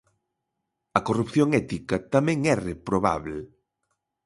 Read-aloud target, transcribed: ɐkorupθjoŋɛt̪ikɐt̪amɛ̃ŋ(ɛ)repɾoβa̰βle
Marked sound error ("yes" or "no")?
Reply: no